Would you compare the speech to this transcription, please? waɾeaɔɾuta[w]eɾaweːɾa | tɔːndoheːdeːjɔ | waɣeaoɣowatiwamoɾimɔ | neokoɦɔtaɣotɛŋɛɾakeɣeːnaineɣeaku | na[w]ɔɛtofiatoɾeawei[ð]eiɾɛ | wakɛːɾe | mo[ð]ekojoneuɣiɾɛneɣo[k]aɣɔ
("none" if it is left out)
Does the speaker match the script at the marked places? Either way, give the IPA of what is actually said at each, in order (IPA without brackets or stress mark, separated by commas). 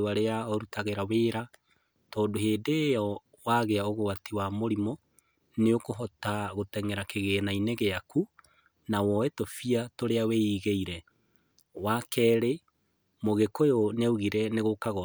ɣ, w, ɣ, ɣ, k